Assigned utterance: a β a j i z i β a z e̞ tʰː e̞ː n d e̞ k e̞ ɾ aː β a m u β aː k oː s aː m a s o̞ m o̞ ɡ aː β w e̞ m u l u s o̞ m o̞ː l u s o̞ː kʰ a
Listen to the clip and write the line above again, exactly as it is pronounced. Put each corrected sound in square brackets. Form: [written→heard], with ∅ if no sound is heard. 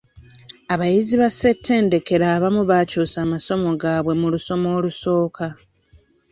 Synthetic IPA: a β a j i z i β a [z→s] e̞ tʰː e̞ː n d e̞ k e̞ ɾ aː β a m u β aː [k→c] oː s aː m a s o̞ m o̞ ɡ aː β w e̞ m u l u s o̞ m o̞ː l u s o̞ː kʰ a